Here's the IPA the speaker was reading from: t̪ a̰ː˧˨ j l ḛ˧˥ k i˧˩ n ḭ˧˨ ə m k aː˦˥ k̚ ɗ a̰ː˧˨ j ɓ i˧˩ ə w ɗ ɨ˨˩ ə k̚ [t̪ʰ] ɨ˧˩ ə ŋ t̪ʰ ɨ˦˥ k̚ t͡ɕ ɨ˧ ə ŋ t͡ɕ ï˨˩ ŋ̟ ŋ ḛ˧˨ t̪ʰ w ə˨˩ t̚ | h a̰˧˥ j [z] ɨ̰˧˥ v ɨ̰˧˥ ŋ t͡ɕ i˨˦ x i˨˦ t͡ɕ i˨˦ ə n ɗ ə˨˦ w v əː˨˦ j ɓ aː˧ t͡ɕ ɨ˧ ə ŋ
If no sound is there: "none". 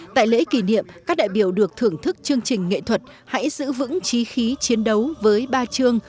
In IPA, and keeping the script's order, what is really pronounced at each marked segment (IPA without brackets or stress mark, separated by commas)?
t̪ʰ, z